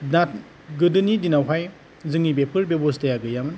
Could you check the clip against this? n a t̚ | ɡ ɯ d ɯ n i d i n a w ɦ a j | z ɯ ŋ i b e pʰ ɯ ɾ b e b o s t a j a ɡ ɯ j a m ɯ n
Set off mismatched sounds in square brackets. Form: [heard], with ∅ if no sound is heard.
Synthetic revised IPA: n a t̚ | ɡ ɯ d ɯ n i d i n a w ɦ a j | z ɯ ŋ i b e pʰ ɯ ɾ b e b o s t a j a ɡ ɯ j a m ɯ n

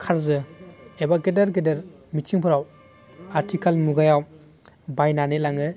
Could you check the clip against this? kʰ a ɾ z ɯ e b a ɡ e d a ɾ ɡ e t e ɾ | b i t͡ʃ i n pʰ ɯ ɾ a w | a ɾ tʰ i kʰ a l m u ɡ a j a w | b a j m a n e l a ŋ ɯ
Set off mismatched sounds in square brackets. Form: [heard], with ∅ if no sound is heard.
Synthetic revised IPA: kʰ a ɾ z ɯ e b a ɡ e d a ɾ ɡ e [d] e ɾ | [m] i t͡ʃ i [ŋ] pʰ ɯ ɾ a w | a ɾ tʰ i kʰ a l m u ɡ a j a w | b a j [n] a n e l a ŋ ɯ

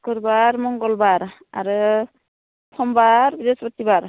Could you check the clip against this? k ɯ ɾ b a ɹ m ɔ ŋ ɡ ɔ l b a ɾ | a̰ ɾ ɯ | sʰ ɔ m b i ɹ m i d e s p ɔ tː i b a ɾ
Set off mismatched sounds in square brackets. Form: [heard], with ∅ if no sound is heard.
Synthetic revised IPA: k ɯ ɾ b a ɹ m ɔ ŋ ɡ ɔ l b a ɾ | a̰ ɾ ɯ | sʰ ɔ m b [a] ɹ [b] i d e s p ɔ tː i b a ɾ

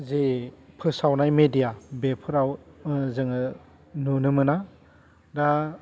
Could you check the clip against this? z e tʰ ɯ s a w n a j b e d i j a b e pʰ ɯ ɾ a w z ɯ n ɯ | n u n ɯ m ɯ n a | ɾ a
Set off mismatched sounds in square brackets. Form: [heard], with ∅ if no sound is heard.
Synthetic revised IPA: z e [pʰ] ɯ s a w n a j [m] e d i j a b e pʰ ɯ ɾ a w z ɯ [ŋ] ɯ | n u n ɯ m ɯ n a | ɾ a

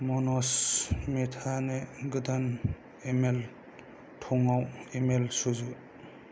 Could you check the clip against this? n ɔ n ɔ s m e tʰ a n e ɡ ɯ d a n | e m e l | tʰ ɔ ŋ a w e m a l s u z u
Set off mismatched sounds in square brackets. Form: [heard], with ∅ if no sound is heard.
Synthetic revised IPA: [m] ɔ n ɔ s m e tʰ a n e ɡ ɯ d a n | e m e l | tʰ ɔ ŋ a w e m [e] l s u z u

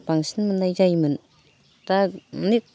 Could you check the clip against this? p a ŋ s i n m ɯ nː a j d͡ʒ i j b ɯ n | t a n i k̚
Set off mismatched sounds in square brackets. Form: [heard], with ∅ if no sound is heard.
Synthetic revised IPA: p a ŋ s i n m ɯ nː a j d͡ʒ [a] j [m] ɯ n | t a n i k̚

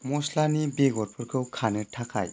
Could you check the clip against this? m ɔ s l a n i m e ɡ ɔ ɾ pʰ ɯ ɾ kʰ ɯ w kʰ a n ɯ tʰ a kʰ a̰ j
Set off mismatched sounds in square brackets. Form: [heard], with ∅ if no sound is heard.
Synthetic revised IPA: m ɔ s l a n i [b] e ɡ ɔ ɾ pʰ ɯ ɾ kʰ ɯ w kʰ a n ɯ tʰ a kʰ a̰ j

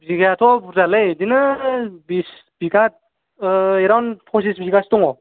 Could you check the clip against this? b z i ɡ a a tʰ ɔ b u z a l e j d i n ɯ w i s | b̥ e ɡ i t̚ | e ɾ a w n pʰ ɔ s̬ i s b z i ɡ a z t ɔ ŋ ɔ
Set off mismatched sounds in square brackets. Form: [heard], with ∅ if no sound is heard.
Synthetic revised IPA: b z i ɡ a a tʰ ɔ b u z a l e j d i n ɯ [b] i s | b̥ [i] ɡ [a] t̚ | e ɾ a w n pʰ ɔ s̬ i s b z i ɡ a [s] t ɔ ŋ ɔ

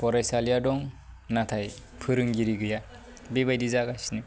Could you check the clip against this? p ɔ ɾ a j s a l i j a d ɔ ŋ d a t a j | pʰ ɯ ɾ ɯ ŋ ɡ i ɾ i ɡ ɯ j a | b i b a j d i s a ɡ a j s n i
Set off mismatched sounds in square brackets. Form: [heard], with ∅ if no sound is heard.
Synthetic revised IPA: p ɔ ɾ a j s a l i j a d ɔ ŋ [n] a [tʰ] a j | pʰ ɯ ɾ ɯ ŋ ɡ i ɾ i ɡ ɯ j a | b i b a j d i [z] a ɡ a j s n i

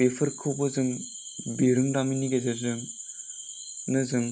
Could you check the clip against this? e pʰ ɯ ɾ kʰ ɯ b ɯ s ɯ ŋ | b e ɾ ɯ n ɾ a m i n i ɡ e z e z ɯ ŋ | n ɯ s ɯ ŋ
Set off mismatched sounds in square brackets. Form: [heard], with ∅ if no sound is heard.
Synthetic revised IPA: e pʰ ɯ ɾ kʰ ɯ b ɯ [z] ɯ ŋ | b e ɾ ɯ [ŋ] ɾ a m i n i ɡ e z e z ɯ ŋ | n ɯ [z] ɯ ŋ

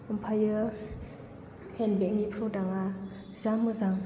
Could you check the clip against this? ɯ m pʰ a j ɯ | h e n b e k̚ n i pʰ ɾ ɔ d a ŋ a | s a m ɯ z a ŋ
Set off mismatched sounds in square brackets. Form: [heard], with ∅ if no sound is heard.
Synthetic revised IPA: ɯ m pʰ a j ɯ | h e n b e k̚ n i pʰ ɾ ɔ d a ŋ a | [z] a m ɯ z a ŋ

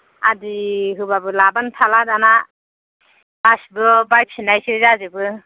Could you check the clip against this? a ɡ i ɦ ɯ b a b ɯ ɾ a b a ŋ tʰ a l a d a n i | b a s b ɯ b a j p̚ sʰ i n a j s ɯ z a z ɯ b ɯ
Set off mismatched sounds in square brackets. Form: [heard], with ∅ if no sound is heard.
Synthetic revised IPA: a [d] i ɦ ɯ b a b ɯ [l] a b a [n] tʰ a l a d a n [a] | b a s b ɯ b a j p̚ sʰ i n a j s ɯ z a z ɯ b ɯ

